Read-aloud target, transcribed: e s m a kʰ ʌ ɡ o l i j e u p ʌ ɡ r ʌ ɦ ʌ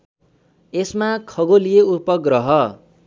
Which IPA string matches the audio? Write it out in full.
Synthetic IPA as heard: e s m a kʰ ʌ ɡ o l i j e u p ʌ ɡ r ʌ ɦ ʌ